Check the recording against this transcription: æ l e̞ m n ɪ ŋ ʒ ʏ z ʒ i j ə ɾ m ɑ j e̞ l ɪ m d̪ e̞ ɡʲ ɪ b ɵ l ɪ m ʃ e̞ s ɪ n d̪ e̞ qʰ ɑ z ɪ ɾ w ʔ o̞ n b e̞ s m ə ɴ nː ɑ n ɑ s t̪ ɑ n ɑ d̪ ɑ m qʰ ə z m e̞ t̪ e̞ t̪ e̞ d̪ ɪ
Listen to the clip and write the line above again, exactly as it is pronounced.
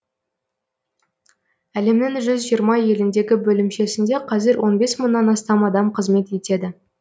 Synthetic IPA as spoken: æ l e̞ m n ɪ ŋ ʒ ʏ z ʒ i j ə ɾ m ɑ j e̞ l ɪ n d̪ e̞ ɡʲ ɪ b ɵ l ɪ m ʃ e̞ s ɪ n d̪ e̞ qʰ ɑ z ɪ ɾ w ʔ o̞ n b e̞ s m ə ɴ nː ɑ n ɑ s t̪ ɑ m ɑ d̪ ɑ m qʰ ə z m e̞ t̪ e̞ t̪ e̞ d̪ ɪ